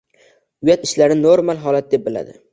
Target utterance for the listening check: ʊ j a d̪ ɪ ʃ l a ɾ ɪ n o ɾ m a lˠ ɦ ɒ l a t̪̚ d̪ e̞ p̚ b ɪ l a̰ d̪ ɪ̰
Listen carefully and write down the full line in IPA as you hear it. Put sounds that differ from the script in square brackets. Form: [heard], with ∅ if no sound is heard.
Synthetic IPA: ʊ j a [t̪] ɪ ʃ l a ɾ ɪ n o ɾ m a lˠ ɦ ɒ l a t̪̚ d̪ e̞ p̚ b ɪ l a̰ d̪ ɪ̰